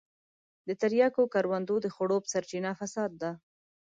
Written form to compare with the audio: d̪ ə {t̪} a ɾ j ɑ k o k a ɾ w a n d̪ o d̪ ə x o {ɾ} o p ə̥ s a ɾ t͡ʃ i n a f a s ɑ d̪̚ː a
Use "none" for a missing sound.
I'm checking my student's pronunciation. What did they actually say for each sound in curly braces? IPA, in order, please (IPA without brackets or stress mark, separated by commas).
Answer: t̪, ɽ